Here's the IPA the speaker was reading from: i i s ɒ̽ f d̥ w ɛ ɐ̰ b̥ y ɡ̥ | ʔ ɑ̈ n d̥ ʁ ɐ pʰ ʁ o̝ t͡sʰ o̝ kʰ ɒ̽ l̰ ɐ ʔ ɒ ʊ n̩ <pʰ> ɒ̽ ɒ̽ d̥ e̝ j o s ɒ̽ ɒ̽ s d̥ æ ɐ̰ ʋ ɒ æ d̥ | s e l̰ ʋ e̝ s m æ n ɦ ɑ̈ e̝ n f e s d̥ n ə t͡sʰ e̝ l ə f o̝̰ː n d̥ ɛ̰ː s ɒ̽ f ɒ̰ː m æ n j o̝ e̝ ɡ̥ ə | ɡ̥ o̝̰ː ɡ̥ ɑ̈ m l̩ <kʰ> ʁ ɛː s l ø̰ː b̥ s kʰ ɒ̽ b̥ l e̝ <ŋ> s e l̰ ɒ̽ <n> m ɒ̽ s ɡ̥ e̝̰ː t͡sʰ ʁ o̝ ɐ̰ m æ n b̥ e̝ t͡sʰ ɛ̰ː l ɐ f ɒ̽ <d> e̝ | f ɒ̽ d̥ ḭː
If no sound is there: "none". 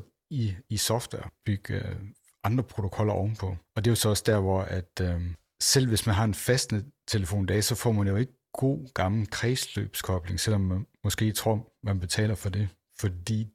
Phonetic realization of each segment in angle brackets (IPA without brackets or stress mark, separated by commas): pʰ, kʰ, ŋ, m, d